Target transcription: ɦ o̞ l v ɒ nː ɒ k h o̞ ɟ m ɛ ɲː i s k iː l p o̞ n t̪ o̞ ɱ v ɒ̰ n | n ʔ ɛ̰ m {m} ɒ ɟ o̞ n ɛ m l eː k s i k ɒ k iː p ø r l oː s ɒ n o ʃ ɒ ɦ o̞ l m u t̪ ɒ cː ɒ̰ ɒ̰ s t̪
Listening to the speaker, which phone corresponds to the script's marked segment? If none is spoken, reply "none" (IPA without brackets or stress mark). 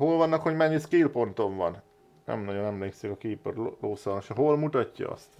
n